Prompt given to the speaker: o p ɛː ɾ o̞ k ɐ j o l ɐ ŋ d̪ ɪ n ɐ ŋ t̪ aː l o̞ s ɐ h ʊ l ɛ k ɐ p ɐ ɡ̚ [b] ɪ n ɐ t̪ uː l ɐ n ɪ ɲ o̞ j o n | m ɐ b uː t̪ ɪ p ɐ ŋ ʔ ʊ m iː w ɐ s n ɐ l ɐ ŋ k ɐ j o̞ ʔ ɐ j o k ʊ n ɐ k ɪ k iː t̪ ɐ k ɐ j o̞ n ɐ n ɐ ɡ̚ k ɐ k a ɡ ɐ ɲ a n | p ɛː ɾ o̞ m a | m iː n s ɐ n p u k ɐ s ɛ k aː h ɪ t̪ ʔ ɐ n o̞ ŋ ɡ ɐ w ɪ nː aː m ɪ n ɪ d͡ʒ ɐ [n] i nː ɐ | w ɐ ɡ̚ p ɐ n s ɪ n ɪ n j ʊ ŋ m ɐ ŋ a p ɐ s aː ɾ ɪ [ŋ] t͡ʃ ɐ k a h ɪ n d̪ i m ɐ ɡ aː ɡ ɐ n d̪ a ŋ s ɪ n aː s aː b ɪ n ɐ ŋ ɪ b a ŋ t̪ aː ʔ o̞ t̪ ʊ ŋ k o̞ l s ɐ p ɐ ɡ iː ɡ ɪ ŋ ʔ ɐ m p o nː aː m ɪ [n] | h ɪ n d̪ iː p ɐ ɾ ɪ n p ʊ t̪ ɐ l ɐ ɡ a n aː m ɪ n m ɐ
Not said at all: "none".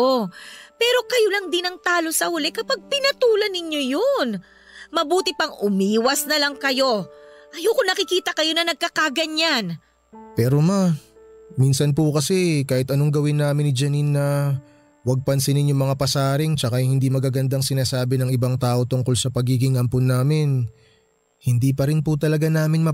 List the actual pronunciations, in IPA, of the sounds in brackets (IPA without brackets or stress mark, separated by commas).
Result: p, n, ŋ, n